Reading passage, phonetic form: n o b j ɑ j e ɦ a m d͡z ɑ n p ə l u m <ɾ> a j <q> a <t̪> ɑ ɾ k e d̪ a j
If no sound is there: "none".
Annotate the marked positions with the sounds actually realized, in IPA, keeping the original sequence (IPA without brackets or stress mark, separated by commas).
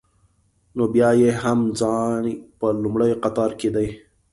ɽ, q, t̪